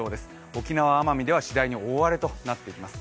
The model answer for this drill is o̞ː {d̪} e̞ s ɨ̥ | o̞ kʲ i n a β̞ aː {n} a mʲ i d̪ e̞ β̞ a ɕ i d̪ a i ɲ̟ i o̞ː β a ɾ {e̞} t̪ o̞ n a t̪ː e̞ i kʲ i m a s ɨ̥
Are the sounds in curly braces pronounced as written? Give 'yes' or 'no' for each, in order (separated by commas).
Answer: yes, no, yes